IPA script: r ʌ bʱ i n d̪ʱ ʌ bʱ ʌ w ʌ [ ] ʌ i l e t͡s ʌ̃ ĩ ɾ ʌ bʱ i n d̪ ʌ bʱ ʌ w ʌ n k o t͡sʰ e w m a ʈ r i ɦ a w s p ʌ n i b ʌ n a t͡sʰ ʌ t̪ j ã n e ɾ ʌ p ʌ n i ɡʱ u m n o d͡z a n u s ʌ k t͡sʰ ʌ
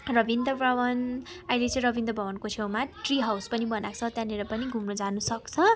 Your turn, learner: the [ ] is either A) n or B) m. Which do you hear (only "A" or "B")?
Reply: A